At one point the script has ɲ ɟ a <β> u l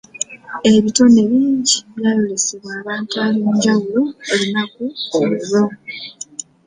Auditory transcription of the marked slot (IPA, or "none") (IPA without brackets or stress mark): w